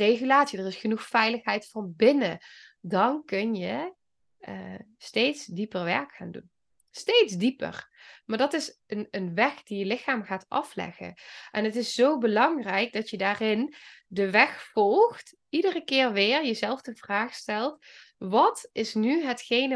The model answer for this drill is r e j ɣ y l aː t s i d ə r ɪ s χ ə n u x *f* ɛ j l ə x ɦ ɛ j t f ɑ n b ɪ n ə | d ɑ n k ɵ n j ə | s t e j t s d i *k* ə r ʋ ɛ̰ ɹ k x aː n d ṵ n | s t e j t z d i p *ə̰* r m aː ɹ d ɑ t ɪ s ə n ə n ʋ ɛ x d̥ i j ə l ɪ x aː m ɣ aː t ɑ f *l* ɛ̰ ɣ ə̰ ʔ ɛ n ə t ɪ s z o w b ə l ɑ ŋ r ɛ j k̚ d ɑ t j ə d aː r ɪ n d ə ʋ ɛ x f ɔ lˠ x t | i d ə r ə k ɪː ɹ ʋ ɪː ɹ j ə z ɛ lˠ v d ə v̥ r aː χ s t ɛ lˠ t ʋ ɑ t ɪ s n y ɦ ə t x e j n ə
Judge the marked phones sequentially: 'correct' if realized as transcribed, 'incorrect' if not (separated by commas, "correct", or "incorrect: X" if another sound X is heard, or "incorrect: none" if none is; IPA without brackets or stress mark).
correct, incorrect: p, correct, correct